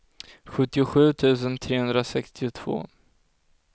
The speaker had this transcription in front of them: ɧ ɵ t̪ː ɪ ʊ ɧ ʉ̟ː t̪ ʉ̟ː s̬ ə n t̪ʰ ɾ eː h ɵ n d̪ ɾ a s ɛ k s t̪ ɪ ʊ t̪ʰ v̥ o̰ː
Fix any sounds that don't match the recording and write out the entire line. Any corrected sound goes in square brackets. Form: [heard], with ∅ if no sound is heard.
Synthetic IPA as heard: ɧ ɵ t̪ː ɪ ʊ ɧ ʉ̟ː [t̪ʰ] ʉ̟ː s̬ ə n t̪ʰ ɾ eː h ɵ n d̪ ɾ a s ɛ k s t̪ ɪ ʊ t̪ʰ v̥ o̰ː